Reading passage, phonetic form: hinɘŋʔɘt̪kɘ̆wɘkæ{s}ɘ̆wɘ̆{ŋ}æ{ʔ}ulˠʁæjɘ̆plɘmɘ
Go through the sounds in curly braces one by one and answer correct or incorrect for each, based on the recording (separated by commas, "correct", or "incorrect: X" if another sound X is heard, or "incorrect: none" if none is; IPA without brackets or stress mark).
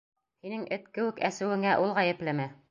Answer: correct, correct, correct